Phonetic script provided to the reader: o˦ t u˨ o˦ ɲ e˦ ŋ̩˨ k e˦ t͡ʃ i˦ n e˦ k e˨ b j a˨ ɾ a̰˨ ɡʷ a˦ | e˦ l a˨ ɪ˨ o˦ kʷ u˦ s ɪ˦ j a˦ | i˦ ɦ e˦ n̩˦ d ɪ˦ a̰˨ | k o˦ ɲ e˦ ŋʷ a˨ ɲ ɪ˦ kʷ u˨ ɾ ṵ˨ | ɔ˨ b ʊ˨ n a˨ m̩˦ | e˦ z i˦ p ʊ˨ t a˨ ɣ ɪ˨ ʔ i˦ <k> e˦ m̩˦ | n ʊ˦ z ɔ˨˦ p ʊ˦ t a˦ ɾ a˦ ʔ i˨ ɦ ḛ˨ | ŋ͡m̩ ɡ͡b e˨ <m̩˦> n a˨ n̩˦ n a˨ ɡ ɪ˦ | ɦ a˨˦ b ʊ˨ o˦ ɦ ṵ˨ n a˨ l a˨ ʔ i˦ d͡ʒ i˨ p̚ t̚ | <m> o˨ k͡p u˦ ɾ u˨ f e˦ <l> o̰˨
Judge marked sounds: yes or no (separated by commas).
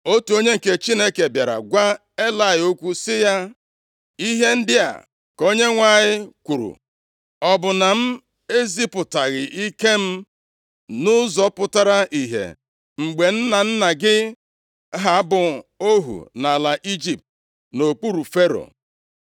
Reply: yes, no, no, no